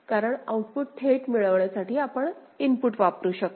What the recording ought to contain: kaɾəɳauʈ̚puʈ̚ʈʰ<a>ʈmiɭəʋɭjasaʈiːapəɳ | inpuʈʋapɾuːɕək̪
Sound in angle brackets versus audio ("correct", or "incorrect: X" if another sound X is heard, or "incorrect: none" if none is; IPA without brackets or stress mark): incorrect: e